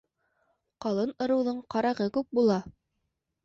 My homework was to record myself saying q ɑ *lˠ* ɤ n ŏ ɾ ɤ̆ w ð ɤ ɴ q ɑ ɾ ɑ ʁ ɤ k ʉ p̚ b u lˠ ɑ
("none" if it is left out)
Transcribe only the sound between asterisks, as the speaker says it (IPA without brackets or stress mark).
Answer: lˠ